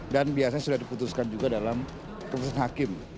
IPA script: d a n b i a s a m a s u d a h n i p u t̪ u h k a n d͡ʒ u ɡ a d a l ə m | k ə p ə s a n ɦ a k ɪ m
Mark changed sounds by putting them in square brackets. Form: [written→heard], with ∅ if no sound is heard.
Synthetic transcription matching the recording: d a n b i a s a [m→ɲ] a s u d a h [n→d] i p u t̪ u [h→s] k a n d͡ʒ u ɡ a d a l [ə→a] m | k ə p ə s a n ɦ a k ɪ m

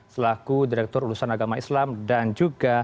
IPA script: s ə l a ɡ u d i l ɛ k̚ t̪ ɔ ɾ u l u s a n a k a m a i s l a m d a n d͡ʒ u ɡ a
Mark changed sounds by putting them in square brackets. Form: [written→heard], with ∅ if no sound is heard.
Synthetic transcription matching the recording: s ə l a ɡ u d i [l→ɾ] ɛ k̚ t̪ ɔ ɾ u l u s a n a [k→ɡ] a m a i s l a m d a n d͡ʒ u ɡ a

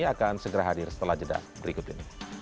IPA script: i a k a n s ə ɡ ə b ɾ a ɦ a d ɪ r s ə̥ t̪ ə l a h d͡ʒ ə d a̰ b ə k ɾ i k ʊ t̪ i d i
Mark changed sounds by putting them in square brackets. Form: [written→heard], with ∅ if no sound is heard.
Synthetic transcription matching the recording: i a k a n s ə ɡ ə [b→∅] ɾ a ɦ a d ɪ r s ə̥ t̪ ə l a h d͡ʒ ə d a̰ b ə [k→∅] ɾ i k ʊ t̪ i [d→n] i

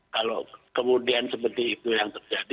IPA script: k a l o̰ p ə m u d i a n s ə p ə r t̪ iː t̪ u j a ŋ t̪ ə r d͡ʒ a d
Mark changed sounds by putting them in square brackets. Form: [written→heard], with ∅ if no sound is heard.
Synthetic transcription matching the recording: k a l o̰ [p→k] ə m u d i a n s ə p ə r t̪ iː t̪ u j a ŋ t̪ ə r d͡ʒ a d

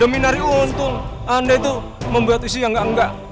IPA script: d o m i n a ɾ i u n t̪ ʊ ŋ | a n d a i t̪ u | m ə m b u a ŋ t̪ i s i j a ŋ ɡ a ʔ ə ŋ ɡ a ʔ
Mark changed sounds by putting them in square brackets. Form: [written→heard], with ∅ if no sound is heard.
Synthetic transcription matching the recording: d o m i n a ɾ i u n t̪ ʊ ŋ | a n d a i t̪ u | m ə m b u a [ŋ→∅] t̪ i s i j a ŋ ɡ a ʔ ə ŋ ɡ a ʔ

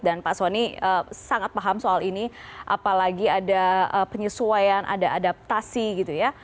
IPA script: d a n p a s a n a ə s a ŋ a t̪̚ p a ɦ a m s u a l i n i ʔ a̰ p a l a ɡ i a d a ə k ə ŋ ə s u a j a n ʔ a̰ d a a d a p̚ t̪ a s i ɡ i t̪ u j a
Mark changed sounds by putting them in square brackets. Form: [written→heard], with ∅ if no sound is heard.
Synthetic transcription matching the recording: d a n p a s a n [a→i] ə s a ŋ a t̪̚ p a ɦ a m s [u→o] a l i n i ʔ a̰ p a l a ɡ i a d a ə [k→p] ə [ŋ→ɲ] ə s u a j a n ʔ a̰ d a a d a p̚ t̪ a s i ɡ i t̪ u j a

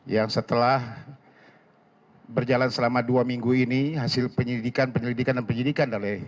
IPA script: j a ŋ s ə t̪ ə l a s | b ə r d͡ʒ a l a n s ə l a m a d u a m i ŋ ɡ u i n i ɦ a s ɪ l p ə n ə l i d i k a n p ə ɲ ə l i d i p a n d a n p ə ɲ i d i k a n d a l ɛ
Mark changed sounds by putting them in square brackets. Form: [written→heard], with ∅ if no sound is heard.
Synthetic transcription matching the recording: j a ŋ s ə t̪ ə l a [s→h] | b ə r d͡ʒ a l a n s ə l a m a d u a m i ŋ ɡ u i n i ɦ a s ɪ l p ə [n→ɲ] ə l i d i k a n p ə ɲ ə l i d i [p→k] a n d a n p ə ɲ i d i k a n d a l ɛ

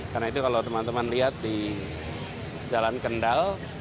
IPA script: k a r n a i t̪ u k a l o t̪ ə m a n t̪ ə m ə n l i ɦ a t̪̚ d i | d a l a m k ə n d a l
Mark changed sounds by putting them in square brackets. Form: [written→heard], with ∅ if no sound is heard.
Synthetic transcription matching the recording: k a r n a i t̪ u k a l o t̪ ə m a n t̪ ə m [ə→a] n l i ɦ a t̪̚ d i | [d→d͡ʒ] a l a [m→n] k ə n d a l

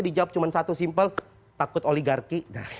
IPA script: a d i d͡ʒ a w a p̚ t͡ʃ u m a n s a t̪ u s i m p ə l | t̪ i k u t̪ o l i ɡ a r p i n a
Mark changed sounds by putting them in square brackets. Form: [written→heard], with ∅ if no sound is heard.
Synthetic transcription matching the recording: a d i d͡ʒ a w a p̚ t͡ʃ u m a n s a t̪ u s i m p ə l | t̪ [i→a] k [u→ʊ] t̪ o l i ɡ a r [p→k] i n a

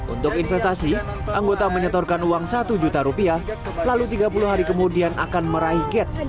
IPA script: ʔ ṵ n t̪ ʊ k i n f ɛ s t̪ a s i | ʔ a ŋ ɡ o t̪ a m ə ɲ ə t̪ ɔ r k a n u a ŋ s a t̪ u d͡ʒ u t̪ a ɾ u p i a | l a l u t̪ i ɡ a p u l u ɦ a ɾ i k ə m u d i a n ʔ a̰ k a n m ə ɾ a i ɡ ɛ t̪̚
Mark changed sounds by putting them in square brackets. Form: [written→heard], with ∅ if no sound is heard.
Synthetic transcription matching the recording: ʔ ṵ n t̪ ʊ k i n f ɛ s t̪ a s i | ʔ a ŋ ɡ o t̪ a m ə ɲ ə t̪ ɔ r k a n u a ŋ s a t̪ u d͡ʒ u t̪ a ɾ u p i a | l a l u t̪ i ɡ a p u l u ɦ a ɾ i k ə m u d i a n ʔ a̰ k a n m ə ɾ a i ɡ ɛ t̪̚

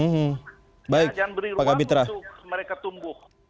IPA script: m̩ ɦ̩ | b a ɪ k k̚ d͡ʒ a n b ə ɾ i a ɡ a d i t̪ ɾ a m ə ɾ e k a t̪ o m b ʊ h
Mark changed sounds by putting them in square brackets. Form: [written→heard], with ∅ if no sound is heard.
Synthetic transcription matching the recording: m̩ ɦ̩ | b a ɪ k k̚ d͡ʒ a n b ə ɾ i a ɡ a [d→b] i t̪ ɾ a m ə ɾ e k a t̪ [o→u] m b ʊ h

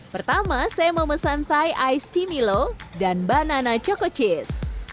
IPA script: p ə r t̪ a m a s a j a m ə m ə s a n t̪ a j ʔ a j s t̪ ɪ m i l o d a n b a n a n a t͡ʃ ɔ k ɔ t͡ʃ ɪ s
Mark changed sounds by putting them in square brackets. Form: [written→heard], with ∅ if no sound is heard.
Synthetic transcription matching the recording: p ə r t̪ a m a s a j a m ə m ə s a n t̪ a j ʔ a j s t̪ [ɪ→i] m i l o d a n b a n a n a t͡ʃ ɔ k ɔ t͡ʃ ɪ s

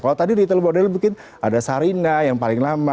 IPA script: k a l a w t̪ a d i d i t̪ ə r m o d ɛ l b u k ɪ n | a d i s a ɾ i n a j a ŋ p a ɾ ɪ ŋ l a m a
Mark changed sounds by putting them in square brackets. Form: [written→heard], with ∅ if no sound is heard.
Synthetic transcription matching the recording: k a l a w t̪ a d i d i t̪ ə [r→l] m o d ɛ l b u k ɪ n | a d [i→a] s a ɾ i n a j a ŋ p a [ɾ→l] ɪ ŋ l a m a

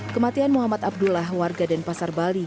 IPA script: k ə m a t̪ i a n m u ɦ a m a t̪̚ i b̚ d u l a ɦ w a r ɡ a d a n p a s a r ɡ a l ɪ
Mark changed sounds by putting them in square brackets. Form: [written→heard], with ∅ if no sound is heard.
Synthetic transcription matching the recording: k ə m a t̪ i a n m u ɦ a m a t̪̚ [i→a] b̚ d u l a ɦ w a r ɡ a d a n p a s a r [ɡ→b] a l [ɪ→i]

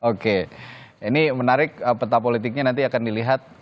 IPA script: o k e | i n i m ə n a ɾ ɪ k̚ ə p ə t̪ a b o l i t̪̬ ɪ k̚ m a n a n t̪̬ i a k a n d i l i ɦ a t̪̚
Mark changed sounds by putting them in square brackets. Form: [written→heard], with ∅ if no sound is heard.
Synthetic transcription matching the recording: o k e | i n i m ə n a ɾ ɪ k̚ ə p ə t̪ a [b→p] o l i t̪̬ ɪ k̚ [m→ɲ] a n a n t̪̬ i a k a n d i l i ɦ a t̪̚

